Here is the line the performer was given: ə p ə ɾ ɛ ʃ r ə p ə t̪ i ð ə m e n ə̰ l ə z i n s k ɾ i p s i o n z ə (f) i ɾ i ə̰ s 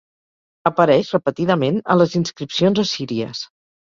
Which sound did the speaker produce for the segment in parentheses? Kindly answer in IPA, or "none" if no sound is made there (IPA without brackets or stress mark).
s